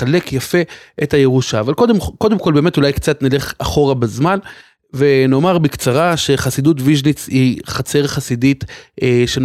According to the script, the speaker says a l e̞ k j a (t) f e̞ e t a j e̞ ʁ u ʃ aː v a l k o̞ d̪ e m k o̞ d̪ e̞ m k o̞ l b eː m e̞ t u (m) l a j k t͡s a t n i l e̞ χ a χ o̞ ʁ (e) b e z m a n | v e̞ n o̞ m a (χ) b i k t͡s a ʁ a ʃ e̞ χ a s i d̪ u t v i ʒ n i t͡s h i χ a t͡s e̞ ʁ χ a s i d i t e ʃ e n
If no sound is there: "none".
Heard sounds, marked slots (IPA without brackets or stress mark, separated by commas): none, none, a, ʁ